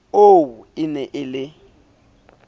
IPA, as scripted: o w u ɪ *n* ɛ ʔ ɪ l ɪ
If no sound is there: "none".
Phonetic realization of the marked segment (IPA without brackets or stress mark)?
n